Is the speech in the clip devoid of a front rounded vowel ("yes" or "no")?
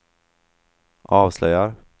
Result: no